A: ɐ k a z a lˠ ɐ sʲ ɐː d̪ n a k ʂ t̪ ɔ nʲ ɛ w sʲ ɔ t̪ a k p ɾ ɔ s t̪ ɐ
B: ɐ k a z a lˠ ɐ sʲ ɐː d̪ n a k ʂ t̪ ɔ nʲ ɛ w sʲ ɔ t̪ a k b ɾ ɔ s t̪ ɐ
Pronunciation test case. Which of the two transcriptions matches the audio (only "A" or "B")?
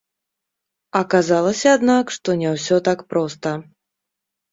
A